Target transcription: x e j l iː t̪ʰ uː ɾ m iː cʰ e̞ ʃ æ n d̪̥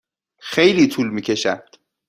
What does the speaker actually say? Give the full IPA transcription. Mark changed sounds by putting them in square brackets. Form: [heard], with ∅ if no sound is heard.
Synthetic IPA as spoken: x e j l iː t̪ʰ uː [l] m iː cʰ e̞ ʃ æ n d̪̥